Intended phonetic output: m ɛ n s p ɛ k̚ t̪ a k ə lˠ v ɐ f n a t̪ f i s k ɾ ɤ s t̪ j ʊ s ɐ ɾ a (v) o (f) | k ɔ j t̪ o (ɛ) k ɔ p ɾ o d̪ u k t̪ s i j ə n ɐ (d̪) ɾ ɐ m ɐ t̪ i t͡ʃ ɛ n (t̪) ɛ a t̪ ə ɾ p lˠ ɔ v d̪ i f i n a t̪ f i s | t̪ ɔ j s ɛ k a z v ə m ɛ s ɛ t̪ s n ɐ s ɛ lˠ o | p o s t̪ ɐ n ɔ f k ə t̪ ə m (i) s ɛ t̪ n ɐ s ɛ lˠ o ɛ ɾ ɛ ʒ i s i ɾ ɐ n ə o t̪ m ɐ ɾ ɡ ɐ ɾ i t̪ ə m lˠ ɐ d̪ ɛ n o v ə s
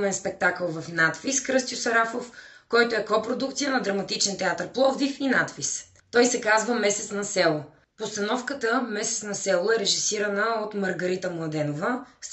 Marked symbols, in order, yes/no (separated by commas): no, yes, yes, yes, yes, no